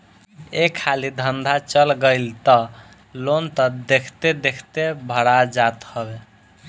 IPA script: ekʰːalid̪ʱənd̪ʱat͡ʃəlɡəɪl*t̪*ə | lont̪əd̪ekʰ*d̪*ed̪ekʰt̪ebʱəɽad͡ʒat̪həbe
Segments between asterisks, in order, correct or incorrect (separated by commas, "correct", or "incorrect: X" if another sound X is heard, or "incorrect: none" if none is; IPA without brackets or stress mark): correct, incorrect: t̪